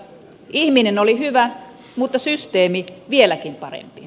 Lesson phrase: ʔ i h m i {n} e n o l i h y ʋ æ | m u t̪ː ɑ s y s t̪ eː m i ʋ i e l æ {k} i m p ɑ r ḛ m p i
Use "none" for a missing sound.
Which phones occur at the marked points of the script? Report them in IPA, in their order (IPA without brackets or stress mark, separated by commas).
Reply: n, k